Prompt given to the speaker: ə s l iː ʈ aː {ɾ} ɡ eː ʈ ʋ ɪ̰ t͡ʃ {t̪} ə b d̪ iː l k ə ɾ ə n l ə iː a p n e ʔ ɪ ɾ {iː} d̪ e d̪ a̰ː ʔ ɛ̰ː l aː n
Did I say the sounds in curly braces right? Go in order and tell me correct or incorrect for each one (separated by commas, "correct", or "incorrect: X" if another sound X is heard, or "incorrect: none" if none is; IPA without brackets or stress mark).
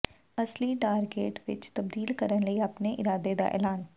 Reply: correct, correct, incorrect: aː